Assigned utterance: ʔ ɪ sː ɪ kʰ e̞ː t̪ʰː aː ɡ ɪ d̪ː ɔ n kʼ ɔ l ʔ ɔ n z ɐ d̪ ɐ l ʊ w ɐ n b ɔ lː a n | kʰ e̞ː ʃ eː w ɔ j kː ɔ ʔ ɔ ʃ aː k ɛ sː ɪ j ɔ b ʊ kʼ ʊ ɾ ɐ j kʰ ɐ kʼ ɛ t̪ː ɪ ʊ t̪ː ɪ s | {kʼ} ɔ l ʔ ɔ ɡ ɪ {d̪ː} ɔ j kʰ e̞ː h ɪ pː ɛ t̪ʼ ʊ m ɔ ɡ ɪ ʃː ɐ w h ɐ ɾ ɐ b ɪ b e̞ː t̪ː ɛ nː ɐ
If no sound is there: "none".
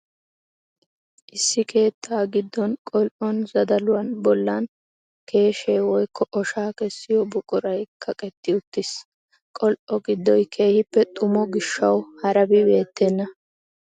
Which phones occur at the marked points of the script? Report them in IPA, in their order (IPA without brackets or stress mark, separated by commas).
kʼ, d̪ː